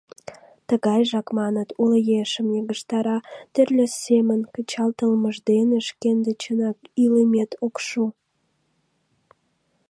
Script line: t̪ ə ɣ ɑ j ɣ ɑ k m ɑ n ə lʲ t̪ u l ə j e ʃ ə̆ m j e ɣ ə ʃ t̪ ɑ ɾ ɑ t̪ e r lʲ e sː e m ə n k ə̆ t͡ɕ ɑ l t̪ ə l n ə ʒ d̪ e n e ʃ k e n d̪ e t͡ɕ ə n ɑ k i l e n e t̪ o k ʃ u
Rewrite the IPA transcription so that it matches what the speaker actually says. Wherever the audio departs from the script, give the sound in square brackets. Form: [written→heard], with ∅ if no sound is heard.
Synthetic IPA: t̪ ə ɣ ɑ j [ɣ→ʒ] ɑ k m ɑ n ə [lʲ→∅] t̪ u l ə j e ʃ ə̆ m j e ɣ ə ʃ t̪ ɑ ɾ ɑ t̪ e r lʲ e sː e m ə n k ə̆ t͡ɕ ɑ l t̪ ə l [n→m] ə ʒ d̪ e n e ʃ k e n d̪ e t͡ɕ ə n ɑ k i l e [n→m] e t̪ o k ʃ u